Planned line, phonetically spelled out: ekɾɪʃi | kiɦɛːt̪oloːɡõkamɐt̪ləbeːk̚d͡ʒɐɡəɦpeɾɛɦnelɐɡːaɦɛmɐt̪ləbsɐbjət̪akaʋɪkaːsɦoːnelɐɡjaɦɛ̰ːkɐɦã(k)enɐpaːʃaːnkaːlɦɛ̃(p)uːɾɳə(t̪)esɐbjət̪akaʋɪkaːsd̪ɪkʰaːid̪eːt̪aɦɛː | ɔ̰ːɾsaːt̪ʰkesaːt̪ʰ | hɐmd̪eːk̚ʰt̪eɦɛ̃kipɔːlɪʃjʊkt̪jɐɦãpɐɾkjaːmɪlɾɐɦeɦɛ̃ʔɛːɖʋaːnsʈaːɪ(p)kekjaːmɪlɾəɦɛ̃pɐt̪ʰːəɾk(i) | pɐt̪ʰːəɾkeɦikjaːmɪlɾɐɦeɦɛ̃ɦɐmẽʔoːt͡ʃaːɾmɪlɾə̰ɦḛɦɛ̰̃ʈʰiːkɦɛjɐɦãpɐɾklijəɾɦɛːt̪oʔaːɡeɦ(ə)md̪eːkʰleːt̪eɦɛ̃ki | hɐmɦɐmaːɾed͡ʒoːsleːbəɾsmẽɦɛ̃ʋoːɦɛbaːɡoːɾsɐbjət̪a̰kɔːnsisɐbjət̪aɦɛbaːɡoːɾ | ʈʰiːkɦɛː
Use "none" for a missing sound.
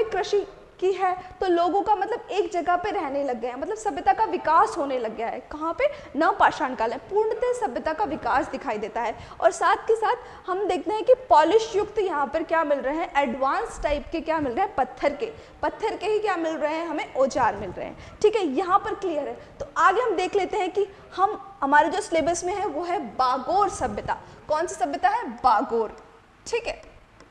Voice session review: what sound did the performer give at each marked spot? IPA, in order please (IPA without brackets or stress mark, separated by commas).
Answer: p, p, t̪, p, e, ɐ